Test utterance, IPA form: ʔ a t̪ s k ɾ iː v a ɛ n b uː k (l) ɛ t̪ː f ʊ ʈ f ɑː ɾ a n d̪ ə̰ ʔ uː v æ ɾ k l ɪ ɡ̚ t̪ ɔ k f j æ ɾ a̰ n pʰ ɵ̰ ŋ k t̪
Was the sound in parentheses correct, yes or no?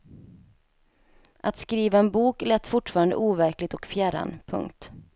yes